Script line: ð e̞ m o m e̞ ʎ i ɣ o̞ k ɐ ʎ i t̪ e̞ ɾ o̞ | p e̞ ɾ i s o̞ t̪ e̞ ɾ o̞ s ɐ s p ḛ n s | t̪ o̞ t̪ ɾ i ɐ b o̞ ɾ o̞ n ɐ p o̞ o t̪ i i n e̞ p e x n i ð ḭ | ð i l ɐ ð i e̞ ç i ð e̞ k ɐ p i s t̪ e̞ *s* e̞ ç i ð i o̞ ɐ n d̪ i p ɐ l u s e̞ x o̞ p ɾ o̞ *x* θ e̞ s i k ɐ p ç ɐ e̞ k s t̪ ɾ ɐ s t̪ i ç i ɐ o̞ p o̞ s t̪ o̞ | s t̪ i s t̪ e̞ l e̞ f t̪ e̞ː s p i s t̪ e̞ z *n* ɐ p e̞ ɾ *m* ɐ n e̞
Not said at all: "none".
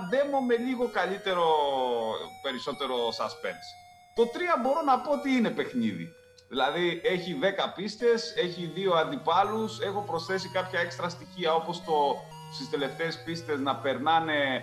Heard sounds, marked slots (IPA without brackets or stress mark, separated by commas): s, s, n, n